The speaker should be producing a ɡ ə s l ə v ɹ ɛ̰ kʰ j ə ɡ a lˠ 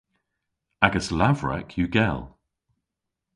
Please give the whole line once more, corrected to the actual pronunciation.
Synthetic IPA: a ɡ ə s l a v ɹ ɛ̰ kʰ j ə ɡ ɛ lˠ

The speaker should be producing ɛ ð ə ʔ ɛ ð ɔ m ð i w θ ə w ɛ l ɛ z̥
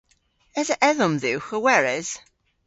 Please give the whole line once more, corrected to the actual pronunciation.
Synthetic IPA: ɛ z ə ʔ ɛ ð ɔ m ð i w x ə w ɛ ɹ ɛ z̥

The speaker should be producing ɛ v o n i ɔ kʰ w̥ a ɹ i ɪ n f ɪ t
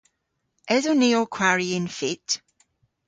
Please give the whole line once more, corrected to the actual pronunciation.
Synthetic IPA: ɛ z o n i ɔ kʰ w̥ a ɹ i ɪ n f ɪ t

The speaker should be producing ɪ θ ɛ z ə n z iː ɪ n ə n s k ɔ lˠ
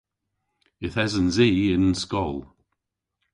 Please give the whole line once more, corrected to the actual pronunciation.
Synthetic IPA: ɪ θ ɛ z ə n z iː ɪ n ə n s k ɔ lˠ

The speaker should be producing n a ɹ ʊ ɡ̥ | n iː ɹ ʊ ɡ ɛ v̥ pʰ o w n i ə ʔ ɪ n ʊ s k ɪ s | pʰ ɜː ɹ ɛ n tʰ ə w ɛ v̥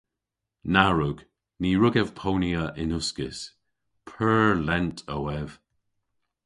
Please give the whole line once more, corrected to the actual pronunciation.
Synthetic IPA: n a ɹ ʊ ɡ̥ | n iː ɹ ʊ ɡ ɛ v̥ pʰ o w n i ə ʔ ɪ n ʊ s k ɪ s | pʰ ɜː l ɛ n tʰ ə w ɛ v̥

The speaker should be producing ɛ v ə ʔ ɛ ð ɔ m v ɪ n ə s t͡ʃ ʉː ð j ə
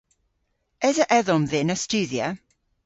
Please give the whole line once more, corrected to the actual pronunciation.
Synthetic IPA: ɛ z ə ʔ ɛ ð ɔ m ð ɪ n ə s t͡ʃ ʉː ð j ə

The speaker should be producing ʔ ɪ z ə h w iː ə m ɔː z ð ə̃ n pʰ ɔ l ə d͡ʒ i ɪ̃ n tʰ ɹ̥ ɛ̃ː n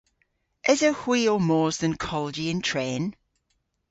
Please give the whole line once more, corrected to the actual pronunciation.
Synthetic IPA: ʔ ɪ z ə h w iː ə m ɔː z ð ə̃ n kʰ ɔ l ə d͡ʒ i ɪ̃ n tʰ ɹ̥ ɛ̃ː n

